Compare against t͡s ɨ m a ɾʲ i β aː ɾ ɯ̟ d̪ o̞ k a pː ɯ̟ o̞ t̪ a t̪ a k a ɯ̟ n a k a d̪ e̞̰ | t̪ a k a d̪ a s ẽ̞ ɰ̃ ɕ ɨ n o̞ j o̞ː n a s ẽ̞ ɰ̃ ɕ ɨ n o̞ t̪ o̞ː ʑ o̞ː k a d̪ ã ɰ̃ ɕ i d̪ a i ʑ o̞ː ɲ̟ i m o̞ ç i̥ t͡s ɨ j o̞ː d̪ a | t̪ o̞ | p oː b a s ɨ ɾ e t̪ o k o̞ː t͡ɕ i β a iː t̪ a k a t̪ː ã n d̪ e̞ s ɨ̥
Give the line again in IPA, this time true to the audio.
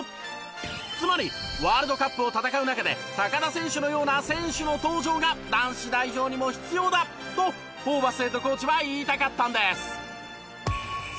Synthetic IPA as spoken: t͡s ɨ m a ɾʲ i β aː ɾ ɯ̟ d̪ o̞ k a pː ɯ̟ o̞ t̪ a t̪ a k a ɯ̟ n a k a d̪ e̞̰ | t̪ a k a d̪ a s ẽ̞ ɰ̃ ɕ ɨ n o̞ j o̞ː n a s ẽ̞ ɰ̃ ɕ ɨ n o̞ t̪ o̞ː ʑ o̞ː ɡ a d̪ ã ɰ̃ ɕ i d̪ a i ʑ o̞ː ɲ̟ i m o̞ ç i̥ t͡s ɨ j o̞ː d̪ a | t̪ o̞ | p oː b a s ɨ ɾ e t̪ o k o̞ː t͡ɕ i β a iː t̪ a k a t̪ː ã n d̪ e̞ s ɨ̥